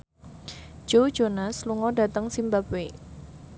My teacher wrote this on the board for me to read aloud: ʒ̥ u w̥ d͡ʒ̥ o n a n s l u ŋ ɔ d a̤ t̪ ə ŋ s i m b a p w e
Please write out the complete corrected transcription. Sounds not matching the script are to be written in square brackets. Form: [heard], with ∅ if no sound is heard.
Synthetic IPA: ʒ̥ [o] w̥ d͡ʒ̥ o n a [∅] s l u ŋ ɔ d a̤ t̪ ə ŋ s i m b a p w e